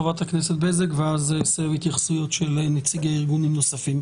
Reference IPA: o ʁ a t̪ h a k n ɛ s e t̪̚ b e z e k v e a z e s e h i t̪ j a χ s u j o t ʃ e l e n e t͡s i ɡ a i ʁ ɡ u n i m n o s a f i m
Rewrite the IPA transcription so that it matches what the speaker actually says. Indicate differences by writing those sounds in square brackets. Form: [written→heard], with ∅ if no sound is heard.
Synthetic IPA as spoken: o [ʁ→v] a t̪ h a k n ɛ s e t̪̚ b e z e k v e a z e s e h i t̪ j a χ s u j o t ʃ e l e n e t͡s i ɡ a i ʁ ɡ u n i m n o s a f i m

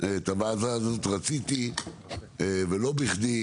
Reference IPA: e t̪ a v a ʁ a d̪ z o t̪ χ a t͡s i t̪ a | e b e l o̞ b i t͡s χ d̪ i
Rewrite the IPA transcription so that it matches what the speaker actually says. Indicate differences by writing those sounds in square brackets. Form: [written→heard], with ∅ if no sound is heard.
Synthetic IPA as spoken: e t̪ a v a [ʁ→z] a [d̪→∅] z o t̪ [χ→ʁ] a t͡s i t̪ [a→i] | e [b→v] e l o̞ b i [t͡s→∅] χ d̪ i

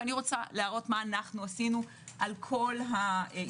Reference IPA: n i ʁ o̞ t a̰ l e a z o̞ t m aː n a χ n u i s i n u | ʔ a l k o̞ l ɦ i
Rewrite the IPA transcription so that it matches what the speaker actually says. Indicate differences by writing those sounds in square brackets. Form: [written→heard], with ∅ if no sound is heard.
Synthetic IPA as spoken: n i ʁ o̞ [t→t͡s] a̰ l e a [z→ʁ] o̞ t m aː n a χ n u [i→a] s i n u | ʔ a l [k→kʰ] o̞ l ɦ [i→a]

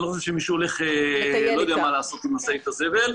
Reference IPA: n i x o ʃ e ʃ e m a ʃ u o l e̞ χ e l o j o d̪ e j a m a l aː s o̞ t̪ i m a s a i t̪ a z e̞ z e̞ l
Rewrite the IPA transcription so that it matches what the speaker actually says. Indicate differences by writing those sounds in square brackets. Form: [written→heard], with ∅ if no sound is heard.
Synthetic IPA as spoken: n i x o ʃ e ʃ e m [a→i] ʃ u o l e̞ χ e l o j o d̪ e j a m a l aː s o̞ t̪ i m a s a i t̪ a z e̞ [z→v] e̞ l

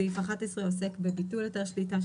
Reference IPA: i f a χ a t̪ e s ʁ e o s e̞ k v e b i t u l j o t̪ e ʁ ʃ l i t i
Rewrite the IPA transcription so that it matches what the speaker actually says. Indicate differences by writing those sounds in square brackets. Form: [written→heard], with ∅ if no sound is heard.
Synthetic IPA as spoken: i f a χ a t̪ e s ʁ e o s e̞ k [v→b] e b i t u l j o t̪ e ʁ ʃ l i t [i→a]

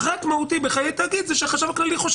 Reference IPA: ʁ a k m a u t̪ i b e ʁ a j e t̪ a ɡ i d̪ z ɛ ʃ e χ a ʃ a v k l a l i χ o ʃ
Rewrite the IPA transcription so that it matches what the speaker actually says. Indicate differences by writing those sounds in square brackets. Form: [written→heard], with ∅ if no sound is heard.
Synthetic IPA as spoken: ʁ a k m a u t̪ i b e [ʁ→χ] a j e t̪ a ɡ i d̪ z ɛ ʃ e χ a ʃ a v k l a l i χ o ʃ

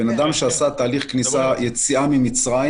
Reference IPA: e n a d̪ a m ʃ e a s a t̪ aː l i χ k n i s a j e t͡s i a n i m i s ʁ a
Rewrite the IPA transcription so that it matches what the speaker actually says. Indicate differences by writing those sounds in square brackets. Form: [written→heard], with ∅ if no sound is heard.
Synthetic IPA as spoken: e n a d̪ a m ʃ e a s a t̪ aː l i χ k n i s a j e t͡s i a [n→m] i m i [s→t͡s] ʁ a

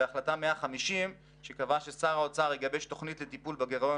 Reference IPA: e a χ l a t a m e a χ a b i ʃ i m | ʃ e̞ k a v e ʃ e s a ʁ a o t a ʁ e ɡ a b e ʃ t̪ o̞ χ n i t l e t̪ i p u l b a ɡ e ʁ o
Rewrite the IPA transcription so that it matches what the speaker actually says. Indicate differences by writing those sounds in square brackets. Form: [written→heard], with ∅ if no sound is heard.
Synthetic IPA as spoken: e a χ l a t a m e a χ a [b→m] i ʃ i m | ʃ e̞ k a v [e→a] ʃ e s a ʁ a o [t→t͡s] a ʁ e ɡ a b e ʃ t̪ o̞ χ n i t l e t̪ i p u l b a ɡ e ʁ o

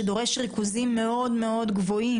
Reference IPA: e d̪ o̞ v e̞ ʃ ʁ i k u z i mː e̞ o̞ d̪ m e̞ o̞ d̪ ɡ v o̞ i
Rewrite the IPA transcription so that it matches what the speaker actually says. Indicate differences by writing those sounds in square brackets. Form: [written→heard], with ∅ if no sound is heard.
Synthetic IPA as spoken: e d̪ o̞ [v→ʁ] e̞ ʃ ʁ i k u z i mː e̞ o̞ d̪ m e̞ o̞ d̪ ɡ v o̞ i

